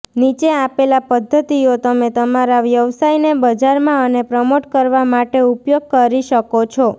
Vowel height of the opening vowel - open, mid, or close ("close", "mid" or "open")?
close